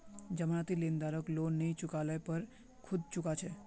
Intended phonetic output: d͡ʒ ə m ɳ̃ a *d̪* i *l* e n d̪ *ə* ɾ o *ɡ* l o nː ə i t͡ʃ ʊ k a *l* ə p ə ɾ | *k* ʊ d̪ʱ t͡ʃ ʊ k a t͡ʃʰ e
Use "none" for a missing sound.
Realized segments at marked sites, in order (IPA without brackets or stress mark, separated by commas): t̪, l, a, k, l, kʰ